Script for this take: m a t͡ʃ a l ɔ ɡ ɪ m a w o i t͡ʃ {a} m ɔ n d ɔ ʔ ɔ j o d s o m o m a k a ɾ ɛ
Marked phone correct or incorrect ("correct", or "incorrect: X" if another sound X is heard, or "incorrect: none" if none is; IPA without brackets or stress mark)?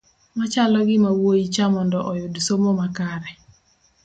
correct